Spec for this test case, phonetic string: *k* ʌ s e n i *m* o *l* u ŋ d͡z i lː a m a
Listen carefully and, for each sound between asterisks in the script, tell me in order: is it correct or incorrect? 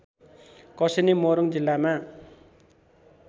correct, correct, incorrect

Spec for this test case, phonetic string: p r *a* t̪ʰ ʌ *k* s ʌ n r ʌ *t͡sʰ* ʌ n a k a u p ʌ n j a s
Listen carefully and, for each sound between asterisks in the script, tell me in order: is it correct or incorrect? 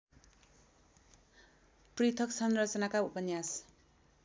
incorrect, correct, incorrect

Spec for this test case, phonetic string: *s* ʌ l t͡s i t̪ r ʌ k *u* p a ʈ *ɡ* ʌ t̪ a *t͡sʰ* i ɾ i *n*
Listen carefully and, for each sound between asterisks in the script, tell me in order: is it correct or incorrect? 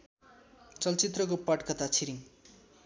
incorrect, incorrect, incorrect, correct, incorrect

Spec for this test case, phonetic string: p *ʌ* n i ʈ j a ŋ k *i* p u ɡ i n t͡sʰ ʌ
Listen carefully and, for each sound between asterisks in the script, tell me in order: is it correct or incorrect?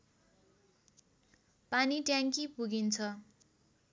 incorrect, correct

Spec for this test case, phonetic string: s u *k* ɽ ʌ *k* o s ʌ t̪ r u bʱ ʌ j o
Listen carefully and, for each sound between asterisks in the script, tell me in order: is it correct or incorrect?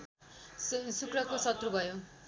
correct, correct

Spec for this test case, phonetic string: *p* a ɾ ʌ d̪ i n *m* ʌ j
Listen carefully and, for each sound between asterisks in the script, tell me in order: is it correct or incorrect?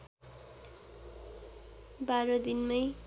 incorrect, correct

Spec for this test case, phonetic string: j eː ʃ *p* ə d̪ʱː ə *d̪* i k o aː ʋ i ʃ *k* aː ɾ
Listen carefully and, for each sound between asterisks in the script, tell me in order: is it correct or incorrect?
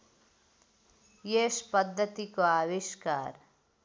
correct, incorrect, correct

